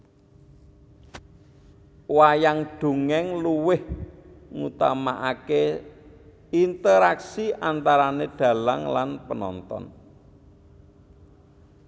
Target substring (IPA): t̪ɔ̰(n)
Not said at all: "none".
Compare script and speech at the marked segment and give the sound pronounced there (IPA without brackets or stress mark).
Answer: n